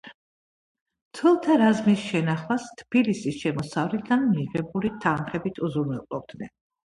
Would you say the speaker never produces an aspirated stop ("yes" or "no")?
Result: no